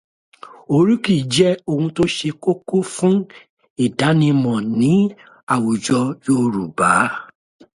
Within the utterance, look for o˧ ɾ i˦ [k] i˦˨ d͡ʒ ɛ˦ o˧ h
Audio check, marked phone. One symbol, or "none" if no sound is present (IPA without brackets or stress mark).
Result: k